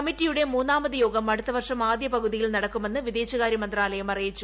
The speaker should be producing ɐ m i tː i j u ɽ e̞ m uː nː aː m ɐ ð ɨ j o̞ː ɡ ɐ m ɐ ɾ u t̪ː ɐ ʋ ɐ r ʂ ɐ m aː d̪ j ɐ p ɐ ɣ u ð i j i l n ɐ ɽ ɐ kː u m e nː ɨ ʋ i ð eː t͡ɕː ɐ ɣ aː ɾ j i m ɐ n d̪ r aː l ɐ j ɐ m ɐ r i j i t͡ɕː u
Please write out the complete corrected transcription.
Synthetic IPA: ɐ m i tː i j u ɽ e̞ m uː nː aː m ɐ ð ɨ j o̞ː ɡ ɐ m ɐ ɽ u t̪ː ɐ ʋ ɐ r ʂ ɐ m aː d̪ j ɐ p ɐ ɣ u ð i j i l n ɐ ɽ ɐ kː u m e nː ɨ ʋ i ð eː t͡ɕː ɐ ɣ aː ɾ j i m ɐ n d̪ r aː l ɐ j ɐ m ɐ r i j i t͡ɕː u